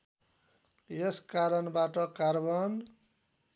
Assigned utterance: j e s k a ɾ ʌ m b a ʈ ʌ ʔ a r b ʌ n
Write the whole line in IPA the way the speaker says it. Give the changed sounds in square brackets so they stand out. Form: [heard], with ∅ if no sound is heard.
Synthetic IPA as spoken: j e s k a ɾ ʌ [n] b a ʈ ʌ [k] a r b ʌ n